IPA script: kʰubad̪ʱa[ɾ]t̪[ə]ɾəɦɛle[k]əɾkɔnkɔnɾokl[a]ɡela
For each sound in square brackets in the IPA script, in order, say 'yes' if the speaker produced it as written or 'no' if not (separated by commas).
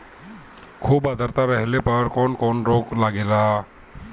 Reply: yes, no, no, yes